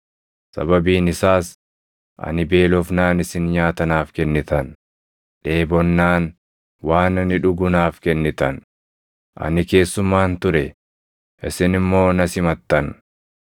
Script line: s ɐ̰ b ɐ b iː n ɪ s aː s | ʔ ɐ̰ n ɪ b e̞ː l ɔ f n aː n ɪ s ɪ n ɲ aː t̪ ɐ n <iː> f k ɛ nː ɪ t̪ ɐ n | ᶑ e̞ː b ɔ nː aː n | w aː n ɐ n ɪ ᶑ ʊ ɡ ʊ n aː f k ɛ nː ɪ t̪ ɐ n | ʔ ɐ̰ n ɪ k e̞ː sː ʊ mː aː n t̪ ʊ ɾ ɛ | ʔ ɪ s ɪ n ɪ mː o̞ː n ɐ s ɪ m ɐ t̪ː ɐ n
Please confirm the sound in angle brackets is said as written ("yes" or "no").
no